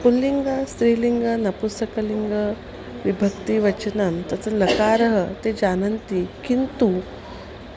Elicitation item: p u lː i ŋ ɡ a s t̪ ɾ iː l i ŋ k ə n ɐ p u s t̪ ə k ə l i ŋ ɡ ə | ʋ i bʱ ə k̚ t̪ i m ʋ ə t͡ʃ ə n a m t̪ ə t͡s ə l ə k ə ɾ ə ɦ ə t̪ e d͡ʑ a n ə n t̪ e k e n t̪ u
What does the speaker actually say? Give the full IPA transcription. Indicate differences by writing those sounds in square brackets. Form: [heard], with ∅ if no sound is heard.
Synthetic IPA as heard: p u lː i ŋ ɡ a s t̪ ɾ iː l i ŋ [ɡ] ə n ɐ p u s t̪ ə k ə l i ŋ ɡ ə | ʋ i bʱ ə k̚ t̪ i [∅] ʋ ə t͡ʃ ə n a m t̪ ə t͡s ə l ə k [a] ɾ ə ɦ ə t̪ e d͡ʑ a n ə n t̪ [i] k [i] n t̪ u